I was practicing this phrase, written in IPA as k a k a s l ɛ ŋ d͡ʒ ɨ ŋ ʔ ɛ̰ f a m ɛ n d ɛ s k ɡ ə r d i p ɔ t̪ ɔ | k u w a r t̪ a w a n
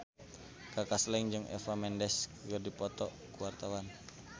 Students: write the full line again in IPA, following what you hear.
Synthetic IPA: k a k a s l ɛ ŋ d͡ʒ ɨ ŋ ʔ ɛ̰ f a m ɛ n d ɛ s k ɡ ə r d i p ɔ t̪ ɔ | k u w a r t̪ a w a n